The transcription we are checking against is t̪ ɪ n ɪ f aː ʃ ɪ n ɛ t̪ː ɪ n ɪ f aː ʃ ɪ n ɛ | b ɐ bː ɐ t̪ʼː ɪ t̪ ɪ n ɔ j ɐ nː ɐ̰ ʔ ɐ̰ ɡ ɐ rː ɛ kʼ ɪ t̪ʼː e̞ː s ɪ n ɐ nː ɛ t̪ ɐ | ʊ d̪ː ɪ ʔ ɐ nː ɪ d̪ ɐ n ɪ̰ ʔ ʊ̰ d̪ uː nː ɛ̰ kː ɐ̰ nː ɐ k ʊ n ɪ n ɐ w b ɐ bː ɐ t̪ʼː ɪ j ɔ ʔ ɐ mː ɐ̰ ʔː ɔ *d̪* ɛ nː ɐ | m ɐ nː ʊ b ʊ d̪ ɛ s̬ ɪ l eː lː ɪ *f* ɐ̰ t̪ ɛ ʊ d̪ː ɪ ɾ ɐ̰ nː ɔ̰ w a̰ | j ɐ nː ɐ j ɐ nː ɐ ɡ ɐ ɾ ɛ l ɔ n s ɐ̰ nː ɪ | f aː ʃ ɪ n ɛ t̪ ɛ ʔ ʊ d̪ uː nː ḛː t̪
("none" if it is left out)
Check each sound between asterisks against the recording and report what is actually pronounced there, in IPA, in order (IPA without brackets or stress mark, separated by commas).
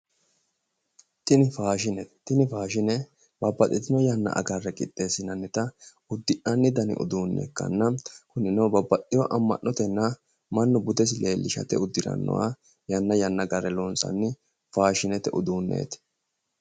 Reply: t̪, ʃ